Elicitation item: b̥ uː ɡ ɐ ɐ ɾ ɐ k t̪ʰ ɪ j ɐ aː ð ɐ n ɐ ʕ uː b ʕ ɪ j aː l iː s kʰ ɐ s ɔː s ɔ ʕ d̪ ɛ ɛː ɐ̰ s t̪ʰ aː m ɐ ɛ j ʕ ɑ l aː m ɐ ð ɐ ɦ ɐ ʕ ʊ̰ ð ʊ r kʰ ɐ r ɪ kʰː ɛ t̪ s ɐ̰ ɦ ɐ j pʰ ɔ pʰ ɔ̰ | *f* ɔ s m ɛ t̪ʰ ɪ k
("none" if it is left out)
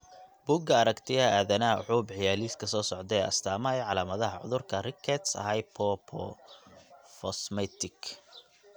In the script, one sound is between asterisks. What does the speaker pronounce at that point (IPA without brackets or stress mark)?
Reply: f